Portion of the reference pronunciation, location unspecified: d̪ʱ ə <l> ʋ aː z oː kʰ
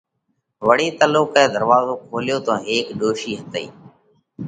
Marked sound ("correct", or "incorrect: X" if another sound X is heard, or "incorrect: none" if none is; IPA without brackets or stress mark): incorrect: ɾ